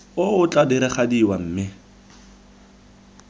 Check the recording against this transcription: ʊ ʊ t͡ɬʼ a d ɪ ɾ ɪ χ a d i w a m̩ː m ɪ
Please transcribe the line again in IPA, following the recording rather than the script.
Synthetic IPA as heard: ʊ ʊ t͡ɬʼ a d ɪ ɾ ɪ χ a d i w a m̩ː m ɪ